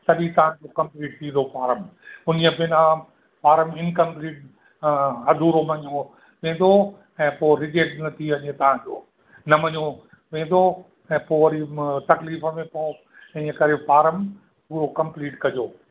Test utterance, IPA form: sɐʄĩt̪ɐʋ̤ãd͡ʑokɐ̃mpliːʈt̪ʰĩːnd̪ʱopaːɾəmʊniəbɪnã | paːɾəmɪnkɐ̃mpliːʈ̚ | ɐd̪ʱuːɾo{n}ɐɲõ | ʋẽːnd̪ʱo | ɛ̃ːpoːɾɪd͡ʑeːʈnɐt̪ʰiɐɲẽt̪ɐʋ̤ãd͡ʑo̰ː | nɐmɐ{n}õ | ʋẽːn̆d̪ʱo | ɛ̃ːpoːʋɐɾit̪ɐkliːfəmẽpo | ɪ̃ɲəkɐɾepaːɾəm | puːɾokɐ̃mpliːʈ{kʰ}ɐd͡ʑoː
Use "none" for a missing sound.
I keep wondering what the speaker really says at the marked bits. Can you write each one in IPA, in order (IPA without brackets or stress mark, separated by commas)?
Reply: m, ɲ, k